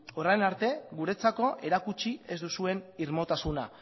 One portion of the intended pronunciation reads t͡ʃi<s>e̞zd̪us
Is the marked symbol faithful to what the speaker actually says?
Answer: no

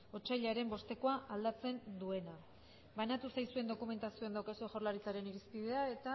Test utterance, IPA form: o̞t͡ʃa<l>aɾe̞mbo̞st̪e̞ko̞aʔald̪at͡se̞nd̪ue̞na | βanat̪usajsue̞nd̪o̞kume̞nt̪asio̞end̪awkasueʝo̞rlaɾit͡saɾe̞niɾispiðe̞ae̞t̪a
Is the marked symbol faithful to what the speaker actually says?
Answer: no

